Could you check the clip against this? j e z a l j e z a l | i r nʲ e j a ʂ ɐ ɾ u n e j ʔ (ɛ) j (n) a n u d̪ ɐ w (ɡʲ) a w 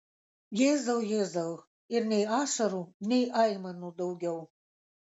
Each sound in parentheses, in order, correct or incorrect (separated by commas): incorrect, incorrect, correct